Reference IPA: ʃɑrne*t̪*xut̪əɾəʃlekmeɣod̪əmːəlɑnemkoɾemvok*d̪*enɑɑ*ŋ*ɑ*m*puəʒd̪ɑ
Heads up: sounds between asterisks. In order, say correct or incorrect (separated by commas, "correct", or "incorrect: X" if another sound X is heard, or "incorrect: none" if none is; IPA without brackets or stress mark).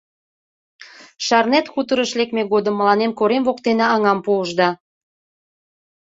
correct, incorrect: t̪, correct, correct